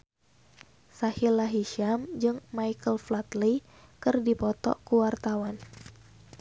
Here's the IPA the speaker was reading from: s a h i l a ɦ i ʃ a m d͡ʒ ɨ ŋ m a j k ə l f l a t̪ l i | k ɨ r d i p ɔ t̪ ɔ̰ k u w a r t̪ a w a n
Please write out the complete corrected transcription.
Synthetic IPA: s a h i l a ɦ i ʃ a m d͡ʒ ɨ ŋ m a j k ə l f l a t̪ l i | k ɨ r d i p ɔ t̪ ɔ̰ k u w a r t̪ a w a n